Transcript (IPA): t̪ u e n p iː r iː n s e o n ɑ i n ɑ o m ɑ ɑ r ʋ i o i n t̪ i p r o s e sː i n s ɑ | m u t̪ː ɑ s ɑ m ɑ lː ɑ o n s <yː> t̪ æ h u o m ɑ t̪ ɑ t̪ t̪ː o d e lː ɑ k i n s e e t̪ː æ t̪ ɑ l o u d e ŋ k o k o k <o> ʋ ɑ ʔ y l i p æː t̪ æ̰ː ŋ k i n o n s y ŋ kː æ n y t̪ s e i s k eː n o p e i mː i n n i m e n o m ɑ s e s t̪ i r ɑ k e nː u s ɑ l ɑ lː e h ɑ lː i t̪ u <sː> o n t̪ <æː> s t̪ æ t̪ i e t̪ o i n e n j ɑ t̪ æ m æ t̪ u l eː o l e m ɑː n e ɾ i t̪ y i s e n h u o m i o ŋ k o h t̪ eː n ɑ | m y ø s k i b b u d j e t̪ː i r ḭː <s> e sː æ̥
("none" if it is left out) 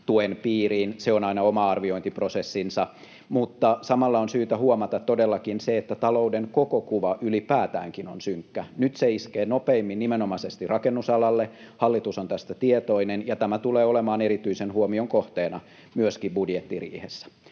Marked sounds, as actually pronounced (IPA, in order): yː, u, s, æ, h

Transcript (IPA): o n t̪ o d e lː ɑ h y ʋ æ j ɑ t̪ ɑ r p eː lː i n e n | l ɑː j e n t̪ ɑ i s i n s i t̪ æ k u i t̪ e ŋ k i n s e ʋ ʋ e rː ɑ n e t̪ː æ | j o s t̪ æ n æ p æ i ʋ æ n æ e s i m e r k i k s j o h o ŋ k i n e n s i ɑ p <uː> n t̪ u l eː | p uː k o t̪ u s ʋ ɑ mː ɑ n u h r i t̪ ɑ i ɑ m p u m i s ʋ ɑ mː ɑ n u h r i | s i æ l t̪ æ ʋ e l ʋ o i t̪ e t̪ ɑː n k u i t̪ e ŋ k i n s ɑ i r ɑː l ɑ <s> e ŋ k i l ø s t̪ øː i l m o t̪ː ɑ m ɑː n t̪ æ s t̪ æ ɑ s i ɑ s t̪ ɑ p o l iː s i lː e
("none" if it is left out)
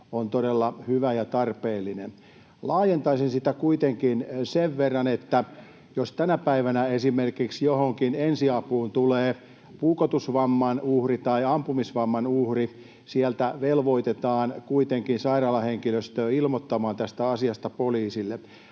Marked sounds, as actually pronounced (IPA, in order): uː, h

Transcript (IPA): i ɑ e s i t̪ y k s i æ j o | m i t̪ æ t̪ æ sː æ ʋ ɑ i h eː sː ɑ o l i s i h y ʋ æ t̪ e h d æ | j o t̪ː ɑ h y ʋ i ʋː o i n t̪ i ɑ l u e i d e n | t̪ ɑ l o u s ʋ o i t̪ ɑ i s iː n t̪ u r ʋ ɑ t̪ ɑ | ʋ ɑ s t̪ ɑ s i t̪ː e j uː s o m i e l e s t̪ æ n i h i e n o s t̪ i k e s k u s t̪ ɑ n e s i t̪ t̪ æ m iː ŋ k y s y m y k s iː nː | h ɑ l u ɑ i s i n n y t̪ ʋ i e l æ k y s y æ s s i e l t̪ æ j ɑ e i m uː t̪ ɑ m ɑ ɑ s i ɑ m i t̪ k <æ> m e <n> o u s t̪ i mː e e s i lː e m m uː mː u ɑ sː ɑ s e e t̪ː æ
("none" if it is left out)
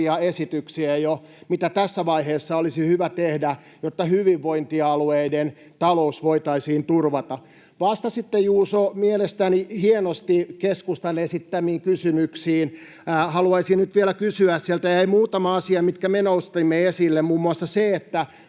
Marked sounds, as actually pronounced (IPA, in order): æ, n

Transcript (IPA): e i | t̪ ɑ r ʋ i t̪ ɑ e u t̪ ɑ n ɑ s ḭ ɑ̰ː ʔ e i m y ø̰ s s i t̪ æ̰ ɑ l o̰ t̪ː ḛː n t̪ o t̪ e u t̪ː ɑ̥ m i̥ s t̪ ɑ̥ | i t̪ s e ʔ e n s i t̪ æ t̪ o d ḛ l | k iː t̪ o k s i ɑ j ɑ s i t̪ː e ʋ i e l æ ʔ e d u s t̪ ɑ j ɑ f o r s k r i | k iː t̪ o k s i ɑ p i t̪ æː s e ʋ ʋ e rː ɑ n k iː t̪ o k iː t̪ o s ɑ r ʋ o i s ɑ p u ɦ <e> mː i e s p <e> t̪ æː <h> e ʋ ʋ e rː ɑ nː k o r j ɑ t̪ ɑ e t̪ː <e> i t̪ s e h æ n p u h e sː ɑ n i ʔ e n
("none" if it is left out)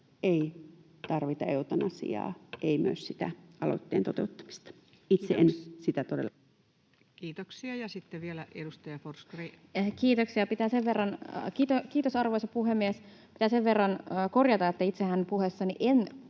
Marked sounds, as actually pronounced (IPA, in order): e, i, s, æ

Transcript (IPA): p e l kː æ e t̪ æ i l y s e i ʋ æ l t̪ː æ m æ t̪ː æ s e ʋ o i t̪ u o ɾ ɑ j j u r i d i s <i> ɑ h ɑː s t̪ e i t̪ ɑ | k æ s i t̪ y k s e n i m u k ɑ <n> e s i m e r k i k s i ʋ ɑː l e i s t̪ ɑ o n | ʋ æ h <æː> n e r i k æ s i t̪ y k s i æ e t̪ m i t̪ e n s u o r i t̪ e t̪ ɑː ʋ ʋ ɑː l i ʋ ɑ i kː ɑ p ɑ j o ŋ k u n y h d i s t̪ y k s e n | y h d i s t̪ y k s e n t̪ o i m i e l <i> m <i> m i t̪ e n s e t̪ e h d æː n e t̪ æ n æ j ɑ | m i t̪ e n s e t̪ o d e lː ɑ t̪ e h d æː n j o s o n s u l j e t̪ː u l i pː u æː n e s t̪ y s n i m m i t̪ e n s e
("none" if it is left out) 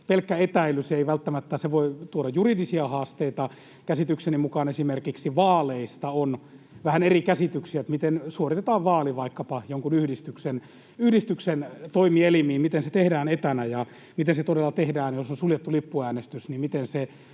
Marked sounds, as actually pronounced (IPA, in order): i, n, æ, i, iː

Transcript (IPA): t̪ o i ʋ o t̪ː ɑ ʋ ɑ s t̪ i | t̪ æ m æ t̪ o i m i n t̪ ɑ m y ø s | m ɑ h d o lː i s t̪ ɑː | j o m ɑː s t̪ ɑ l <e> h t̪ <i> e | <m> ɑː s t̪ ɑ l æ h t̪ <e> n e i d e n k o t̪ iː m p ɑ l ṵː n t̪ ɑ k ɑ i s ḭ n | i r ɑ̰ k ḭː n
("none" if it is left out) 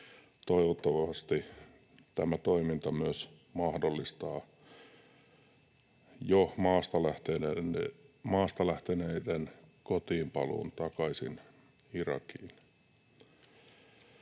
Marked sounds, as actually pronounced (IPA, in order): æ, e, m, e

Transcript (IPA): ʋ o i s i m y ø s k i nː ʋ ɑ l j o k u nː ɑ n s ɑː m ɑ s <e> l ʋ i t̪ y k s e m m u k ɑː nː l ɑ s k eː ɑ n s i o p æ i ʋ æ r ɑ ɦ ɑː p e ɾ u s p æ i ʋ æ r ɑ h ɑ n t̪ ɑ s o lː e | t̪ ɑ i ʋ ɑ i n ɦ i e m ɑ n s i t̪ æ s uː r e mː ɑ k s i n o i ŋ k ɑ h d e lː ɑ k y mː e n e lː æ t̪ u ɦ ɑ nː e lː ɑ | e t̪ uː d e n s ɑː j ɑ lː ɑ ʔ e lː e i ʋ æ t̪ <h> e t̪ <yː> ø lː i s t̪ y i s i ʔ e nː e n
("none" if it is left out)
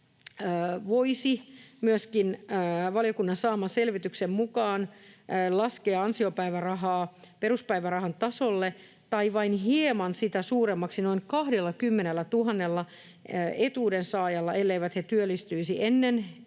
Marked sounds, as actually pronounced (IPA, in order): e, h, y

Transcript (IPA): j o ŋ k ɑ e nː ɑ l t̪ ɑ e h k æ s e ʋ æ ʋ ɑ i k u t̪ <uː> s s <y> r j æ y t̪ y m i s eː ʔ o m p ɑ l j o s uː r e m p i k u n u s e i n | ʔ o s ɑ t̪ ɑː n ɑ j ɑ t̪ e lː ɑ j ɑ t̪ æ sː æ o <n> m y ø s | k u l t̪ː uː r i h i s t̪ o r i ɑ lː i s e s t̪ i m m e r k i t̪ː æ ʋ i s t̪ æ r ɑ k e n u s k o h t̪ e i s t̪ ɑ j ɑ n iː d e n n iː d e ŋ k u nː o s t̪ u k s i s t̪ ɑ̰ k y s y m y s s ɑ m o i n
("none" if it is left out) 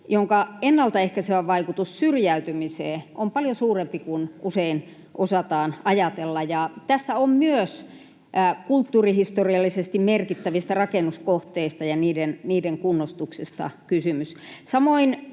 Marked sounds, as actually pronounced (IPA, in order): u, y, m

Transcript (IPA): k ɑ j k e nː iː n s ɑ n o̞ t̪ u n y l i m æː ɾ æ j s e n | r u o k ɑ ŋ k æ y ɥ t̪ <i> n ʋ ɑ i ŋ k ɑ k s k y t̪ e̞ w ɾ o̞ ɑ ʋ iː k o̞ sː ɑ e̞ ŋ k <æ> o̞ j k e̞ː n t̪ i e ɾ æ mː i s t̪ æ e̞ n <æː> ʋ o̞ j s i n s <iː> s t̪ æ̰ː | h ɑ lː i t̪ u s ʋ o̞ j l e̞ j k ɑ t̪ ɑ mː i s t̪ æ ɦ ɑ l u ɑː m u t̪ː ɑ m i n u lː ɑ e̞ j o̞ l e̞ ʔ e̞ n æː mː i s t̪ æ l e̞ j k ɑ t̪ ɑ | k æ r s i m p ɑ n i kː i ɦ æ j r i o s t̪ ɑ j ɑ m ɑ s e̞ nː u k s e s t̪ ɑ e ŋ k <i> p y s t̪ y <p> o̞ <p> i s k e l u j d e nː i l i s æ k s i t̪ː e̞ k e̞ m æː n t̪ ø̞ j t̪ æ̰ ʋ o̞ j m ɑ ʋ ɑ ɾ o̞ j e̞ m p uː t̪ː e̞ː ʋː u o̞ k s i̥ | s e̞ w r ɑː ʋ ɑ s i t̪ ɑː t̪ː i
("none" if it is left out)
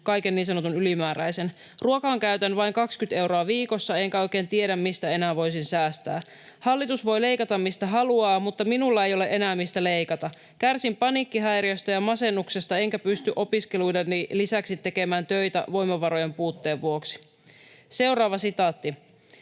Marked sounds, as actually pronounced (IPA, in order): æ, æ, æː, æː, æ, ʔ, p

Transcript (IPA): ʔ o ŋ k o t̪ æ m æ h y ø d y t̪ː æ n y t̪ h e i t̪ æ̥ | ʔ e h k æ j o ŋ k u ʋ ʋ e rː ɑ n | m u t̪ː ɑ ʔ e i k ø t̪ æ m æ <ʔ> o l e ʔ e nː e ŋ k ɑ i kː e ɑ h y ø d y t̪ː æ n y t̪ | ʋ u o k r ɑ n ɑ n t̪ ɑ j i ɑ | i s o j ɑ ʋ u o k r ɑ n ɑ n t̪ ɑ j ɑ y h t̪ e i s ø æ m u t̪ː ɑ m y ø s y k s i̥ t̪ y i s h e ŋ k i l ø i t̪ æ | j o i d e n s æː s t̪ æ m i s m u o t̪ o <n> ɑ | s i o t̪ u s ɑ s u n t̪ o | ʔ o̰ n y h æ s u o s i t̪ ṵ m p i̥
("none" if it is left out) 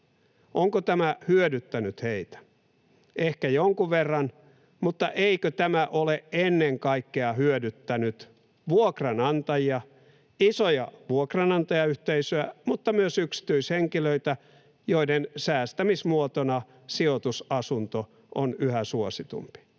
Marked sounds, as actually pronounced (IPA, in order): ʔ, n

